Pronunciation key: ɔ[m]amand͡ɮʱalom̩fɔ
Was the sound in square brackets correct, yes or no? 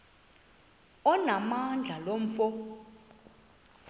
no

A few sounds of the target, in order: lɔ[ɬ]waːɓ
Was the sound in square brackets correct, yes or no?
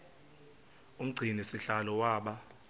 no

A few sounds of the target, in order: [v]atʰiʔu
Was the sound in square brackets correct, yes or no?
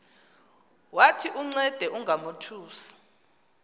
no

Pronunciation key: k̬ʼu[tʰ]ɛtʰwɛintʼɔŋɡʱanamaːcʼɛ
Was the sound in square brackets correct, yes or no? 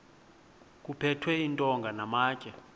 no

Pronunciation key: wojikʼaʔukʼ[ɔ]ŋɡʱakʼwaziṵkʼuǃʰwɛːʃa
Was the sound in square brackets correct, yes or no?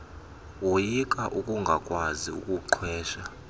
no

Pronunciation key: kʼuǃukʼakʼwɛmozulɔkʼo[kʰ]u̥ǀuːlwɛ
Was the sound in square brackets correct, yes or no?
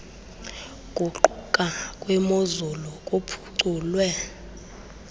no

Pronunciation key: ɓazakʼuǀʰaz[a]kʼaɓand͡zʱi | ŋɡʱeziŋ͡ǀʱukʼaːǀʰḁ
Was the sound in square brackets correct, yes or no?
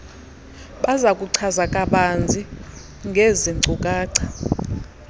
yes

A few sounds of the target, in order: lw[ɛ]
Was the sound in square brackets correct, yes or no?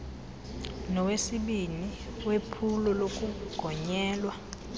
no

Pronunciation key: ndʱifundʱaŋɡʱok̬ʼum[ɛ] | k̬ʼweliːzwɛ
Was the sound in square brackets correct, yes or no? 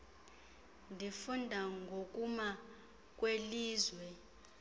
no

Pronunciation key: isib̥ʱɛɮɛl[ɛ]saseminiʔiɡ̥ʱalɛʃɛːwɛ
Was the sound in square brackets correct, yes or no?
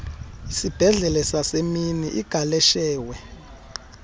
yes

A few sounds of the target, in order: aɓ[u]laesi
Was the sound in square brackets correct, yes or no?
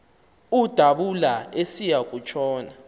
yes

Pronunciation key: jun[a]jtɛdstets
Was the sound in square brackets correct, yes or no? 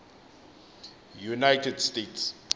yes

